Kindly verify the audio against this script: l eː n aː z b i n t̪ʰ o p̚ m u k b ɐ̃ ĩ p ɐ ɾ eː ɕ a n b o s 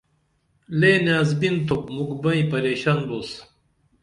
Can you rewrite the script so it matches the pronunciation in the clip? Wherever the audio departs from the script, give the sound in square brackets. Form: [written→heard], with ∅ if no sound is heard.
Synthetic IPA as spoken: l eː n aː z b i n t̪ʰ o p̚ m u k b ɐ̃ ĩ p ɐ ɾ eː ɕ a n b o s